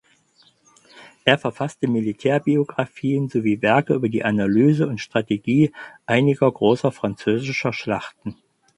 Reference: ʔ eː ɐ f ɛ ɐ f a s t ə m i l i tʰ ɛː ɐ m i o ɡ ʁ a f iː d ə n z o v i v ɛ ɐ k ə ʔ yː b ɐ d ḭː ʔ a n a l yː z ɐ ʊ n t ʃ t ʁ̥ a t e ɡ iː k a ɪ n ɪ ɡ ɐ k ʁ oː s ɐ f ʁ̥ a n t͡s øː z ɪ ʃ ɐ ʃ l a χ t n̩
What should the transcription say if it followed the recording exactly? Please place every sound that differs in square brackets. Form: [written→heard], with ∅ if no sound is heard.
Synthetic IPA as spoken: ʔ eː ɐ f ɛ ɐ f a s t ə m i l i tʰ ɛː ɐ [m→b] i o ɡ ʁ a f iː [d→∅] ə n z o v [i→iː] v ɛ ɐ k ə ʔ yː b ɐ d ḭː ʔ a n a l yː z [ɐ→ə] ʊ n t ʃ t ʁ̥ a t e ɡ iː [k→ʔ] a ɪ n ɪ ɡ ɐ [k→ɡ] ʁ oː s ɐ f ʁ̥ a n t͡s øː z ɪ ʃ ɐ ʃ l a χ t n̩

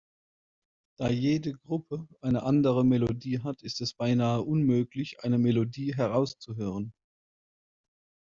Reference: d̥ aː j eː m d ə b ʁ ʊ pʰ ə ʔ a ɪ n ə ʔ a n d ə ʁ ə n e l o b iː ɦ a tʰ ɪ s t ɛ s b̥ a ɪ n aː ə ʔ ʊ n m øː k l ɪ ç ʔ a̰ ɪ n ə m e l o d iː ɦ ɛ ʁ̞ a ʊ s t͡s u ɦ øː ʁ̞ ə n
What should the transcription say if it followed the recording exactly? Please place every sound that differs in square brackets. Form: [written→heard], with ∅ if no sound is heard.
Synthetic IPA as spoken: d̥ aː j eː [m→∅] d ə [b→ɡ] ʁ ʊ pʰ ə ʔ a ɪ n ə ʔ a n d ə ʁ ə [n→m] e l o [b→d] iː ɦ a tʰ ɪ s t ɛ s b̥ a ɪ n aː ə ʔ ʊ n m øː k l ɪ ç ʔ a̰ ɪ n ə m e l o d iː ɦ ɛ ʁ̞ a ʊ s t͡s u ɦ øː ʁ̞ ə n

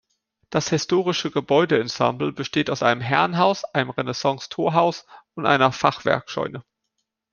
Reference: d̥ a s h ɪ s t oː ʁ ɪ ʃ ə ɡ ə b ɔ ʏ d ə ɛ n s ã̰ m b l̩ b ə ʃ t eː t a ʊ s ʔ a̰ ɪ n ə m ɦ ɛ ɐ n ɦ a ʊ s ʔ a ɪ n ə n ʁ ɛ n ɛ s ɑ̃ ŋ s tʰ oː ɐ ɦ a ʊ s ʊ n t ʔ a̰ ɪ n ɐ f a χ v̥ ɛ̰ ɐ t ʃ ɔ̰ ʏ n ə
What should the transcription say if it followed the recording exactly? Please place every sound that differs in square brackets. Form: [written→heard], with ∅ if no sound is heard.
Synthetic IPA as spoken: d̥ a s h ɪ s t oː ʁ ɪ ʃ ə ɡ ə b ɔ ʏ d ə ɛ n s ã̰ m b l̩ b ə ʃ t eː t a ʊ s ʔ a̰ ɪ n ə m ɦ ɛ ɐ n ɦ a ʊ s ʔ a ɪ n ə [n→m] ʁ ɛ n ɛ s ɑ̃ ŋ s tʰ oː ɐ ɦ a ʊ s ʊ n t ʔ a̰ ɪ n ɐ f a χ v̥ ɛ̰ ɐ [t→k] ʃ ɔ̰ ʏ n ə

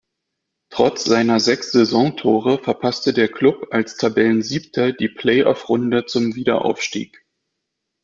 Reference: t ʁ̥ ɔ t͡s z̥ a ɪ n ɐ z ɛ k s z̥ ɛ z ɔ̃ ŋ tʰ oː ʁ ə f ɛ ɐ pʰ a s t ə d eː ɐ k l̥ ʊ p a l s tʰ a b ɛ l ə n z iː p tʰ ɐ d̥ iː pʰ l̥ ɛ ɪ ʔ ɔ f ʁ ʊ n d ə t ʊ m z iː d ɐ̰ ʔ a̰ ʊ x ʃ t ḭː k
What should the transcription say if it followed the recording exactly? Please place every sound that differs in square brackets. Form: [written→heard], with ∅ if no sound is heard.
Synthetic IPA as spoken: t ʁ̥ ɔ t͡s z̥ a ɪ n ɐ z ɛ k s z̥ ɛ z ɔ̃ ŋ tʰ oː ʁ ə f ɛ ɐ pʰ a s t ə d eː ɐ k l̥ ʊ p a l s tʰ a b ɛ l ə n z iː p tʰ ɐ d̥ iː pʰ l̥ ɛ ɪ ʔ ɔ f ʁ ʊ n d ə [t→t͡s] ʊ m [z→v] iː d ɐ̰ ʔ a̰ ʊ [x→f] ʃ t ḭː k

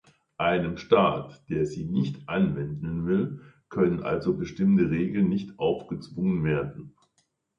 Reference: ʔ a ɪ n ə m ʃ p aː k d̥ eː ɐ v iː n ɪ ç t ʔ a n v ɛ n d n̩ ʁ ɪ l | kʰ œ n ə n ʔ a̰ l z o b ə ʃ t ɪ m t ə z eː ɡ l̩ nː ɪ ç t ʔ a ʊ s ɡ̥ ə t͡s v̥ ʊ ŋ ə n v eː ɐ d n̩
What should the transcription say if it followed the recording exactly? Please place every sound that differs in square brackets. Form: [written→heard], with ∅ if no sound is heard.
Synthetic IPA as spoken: ʔ a ɪ n ə m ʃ [p→t] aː [k→t] d̥ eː ɐ [v→z] iː n ɪ ç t ʔ a n v ɛ n d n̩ [ʁ→v] ɪ l | kʰ œ n ə n ʔ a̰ l z o b ə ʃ t ɪ m t ə [z→ʁ] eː ɡ l̩ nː ɪ ç t ʔ a ʊ [s→f] ɡ̥ ə t͡s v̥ ʊ ŋ ə n v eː ɐ d n̩

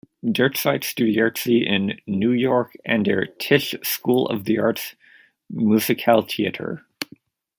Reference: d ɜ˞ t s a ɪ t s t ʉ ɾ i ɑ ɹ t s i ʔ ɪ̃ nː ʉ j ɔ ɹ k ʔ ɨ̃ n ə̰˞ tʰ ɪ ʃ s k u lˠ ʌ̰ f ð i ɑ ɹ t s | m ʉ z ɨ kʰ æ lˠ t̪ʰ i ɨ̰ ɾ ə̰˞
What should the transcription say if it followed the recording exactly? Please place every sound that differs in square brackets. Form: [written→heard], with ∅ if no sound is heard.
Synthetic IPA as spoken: d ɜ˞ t s a ɪ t s t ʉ ɾ i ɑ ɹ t s i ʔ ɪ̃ nː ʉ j ɔ ɹ k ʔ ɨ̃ n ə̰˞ tʰ ɪ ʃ s k u lˠ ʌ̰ [f→v] ð i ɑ ɹ t s | m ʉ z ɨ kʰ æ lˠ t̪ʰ i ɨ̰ ɾ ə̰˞

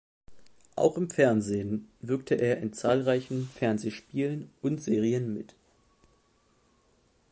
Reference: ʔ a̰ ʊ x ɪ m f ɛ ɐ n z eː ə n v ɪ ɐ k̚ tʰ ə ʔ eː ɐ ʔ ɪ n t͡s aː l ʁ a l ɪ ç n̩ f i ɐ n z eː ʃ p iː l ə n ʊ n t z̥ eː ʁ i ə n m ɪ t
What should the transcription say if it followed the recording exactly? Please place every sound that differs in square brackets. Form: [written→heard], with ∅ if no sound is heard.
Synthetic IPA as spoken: ʔ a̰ ʊ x ɪ m f ɛ ɐ n z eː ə n v ɪ ɐ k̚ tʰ ə ʔ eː ɐ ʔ ɪ n t͡s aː l ʁ a [l→∅] ɪ ç n̩ f [i→ɛ] ɐ n z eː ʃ p iː l ə n ʊ n t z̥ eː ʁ i ə n m ɪ t

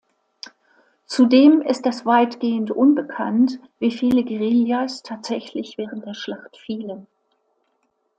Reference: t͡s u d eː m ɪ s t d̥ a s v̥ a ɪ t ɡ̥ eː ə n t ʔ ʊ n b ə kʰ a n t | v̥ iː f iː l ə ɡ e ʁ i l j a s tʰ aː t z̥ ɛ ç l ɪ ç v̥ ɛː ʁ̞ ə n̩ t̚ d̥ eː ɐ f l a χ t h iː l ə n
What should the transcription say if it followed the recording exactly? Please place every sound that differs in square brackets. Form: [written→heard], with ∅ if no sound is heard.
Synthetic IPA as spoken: t͡s u d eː m ɪ s t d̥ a s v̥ a ɪ t ɡ̥ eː ə n t ʔ ʊ n b ə kʰ a n t | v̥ iː f iː l ə ɡ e ʁ i l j a s tʰ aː t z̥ ɛ ç l ɪ ç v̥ ɛː ʁ̞ ə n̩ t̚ d̥ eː ɐ [f→ʃ] l a χ t [h→f] iː l ə n

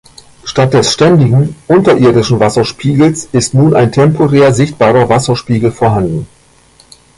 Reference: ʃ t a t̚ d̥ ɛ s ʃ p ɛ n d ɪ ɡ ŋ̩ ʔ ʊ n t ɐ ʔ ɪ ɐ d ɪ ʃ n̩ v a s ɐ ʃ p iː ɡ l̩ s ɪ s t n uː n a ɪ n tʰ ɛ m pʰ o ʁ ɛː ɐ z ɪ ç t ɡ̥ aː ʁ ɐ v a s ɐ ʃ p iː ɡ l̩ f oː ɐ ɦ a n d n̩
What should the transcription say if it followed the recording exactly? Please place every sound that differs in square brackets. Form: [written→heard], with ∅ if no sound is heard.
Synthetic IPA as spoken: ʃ t a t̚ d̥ ɛ s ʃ [p→t] ɛ n d ɪ ɡ ŋ̩ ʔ ʊ n t ɐ ʔ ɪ ɐ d ɪ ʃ n̩ v a s ɐ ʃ p iː ɡ l̩ s ɪ s t n uː n a ɪ n tʰ ɛ m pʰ o ʁ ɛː ɐ z ɪ ç t [ɡ̥→b̥] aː ʁ ɐ v a s ɐ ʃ p iː ɡ l̩ f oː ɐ ɦ a n d n̩

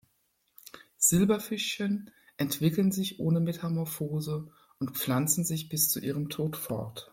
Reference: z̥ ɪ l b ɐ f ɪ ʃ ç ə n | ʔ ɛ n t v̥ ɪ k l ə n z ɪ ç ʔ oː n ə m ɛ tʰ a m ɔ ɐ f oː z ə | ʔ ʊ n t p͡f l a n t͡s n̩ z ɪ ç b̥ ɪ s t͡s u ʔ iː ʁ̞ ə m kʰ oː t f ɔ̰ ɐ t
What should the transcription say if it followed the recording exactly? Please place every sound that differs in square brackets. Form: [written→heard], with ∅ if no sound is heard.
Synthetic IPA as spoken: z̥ ɪ l b ɐ f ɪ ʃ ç ə n | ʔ ɛ n t v̥ ɪ k l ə n z ɪ ç ʔ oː n ə m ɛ tʰ a m ɔ ɐ f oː z ə | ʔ ʊ n t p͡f l a n t͡s n̩ z ɪ ç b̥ ɪ s t͡s u ʔ iː ʁ̞ ə m [kʰ→tʰ] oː t f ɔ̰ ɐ t

